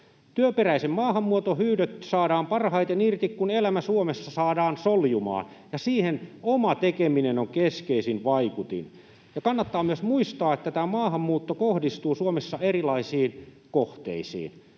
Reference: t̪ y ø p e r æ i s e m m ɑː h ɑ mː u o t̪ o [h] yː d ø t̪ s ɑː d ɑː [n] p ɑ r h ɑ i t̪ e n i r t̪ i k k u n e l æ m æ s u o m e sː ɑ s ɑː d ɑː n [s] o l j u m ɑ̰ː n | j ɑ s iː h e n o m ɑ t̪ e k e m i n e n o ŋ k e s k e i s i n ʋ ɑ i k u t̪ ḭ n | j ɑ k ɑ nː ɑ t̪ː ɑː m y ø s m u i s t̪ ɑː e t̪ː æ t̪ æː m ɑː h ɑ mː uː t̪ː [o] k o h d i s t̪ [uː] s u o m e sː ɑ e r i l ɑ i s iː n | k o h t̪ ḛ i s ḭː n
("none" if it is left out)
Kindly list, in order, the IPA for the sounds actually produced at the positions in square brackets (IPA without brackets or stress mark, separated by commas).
h, m, s, o, uː